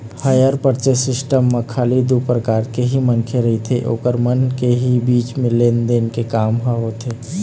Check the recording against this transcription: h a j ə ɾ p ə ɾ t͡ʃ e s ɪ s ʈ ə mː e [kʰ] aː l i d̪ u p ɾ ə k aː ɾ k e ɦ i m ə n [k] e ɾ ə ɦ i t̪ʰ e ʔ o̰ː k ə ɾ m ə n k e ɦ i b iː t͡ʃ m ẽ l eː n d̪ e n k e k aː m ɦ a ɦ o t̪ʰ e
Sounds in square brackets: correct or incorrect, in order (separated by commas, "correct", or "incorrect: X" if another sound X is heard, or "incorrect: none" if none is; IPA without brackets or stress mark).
correct, incorrect: kʰ